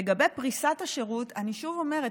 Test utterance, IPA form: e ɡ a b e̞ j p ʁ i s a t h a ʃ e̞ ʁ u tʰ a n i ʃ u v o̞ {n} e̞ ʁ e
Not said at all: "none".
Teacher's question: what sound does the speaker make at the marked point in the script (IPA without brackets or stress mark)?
m